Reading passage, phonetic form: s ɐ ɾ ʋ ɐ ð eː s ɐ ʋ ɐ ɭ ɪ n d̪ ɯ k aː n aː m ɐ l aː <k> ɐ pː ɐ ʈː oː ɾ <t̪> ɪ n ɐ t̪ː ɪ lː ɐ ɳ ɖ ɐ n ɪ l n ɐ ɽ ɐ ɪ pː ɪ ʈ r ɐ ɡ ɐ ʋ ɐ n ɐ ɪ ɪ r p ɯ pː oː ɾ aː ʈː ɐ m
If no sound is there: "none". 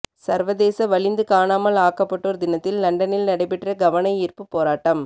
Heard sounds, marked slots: k, d̪

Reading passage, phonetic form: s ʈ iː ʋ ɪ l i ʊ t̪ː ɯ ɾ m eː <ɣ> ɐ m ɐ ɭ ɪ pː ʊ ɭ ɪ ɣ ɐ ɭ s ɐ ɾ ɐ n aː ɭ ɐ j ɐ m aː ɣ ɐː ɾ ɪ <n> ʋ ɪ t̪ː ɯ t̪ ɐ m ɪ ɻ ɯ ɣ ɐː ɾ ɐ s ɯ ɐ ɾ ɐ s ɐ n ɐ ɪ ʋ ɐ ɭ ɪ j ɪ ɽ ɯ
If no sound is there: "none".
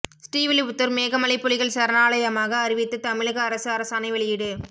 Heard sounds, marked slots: ɣ, none

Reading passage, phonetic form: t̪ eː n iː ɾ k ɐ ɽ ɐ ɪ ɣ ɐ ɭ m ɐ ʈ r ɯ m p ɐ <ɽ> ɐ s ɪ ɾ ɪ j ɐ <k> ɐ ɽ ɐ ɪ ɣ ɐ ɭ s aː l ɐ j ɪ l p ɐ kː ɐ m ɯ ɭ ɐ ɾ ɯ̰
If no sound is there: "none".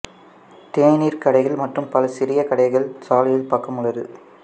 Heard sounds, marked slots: l, k

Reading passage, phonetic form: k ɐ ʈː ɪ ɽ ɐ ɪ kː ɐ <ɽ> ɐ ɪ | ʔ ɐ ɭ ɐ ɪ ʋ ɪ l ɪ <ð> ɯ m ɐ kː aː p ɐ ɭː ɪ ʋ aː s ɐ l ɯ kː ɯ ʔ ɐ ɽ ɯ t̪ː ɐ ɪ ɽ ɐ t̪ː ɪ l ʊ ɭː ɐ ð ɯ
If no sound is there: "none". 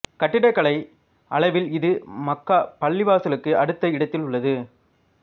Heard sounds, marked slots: ɭ, ð

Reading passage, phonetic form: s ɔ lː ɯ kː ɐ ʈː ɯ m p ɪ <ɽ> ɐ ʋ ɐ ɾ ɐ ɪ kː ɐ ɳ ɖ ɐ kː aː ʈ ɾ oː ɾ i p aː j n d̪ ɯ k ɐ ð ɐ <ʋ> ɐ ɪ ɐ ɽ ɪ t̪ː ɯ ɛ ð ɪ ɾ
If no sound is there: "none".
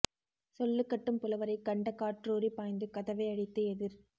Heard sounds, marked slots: l, ʋ

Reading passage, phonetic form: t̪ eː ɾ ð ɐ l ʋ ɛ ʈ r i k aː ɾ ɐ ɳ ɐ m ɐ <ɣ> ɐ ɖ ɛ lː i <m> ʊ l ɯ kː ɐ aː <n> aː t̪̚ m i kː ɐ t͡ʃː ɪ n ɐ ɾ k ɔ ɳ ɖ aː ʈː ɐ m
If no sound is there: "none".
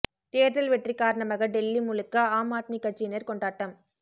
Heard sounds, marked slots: ɣ, m, m

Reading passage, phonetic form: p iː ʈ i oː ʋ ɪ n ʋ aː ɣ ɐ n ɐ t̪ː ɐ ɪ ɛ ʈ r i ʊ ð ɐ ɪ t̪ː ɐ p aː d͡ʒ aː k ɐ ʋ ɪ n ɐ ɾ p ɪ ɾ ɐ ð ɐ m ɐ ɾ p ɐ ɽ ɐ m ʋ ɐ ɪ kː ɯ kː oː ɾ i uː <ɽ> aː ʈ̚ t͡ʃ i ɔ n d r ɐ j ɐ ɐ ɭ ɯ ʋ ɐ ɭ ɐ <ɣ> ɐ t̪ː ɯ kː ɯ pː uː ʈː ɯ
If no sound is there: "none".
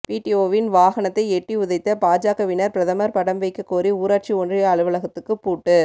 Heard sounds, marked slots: ɾ, ɣ

